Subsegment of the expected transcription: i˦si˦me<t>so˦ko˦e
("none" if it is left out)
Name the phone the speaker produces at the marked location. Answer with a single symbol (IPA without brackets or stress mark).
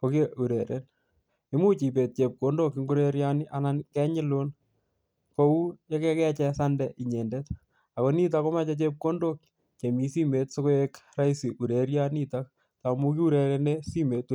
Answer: t